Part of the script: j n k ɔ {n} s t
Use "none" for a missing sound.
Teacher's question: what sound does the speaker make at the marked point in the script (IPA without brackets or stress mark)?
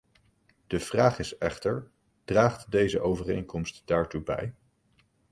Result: m